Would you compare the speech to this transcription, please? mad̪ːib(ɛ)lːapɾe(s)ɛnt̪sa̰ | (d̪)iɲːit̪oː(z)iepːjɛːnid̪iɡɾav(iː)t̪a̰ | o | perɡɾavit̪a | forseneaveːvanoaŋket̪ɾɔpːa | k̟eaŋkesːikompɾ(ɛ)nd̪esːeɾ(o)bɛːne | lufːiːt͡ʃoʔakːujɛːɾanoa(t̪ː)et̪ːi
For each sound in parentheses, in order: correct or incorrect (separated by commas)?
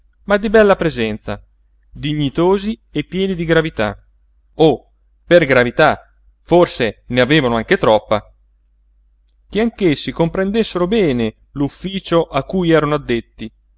correct, incorrect, correct, correct, incorrect, incorrect, correct, incorrect